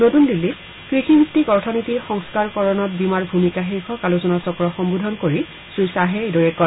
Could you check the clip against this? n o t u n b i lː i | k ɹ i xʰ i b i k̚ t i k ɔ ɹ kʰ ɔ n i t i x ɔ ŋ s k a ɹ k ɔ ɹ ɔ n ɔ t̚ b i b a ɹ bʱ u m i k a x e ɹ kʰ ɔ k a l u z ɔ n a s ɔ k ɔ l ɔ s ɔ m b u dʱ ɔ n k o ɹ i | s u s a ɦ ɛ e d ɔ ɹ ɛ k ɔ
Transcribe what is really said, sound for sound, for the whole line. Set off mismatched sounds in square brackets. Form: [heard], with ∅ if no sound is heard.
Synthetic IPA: n o t u n [d] i lː i | k ɹ i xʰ i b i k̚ t i k ɔ ɹ [tʰ] ɔ n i t i x ɔ ŋ s k a ɹ k ɔ ɹ ɔ n ɔ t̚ b i [m] a ɹ bʱ u m i k a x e ɹ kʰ ɔ k a l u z ɔ n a s ɔ k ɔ [ɹ] ɔ [x] ɔ m b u dʱ ɔ n k o ɹ i | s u s a ɦ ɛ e d ɔ ɹ ɛ k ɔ